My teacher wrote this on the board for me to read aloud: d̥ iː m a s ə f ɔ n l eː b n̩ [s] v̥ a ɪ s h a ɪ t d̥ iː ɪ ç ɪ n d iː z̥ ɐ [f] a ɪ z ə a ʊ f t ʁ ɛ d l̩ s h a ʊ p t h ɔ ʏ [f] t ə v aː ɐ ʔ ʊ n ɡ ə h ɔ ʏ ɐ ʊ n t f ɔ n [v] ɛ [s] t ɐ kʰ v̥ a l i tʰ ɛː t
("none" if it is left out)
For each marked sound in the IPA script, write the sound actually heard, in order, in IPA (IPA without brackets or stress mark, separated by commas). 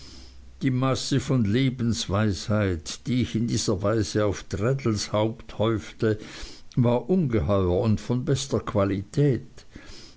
s, v, f, b, s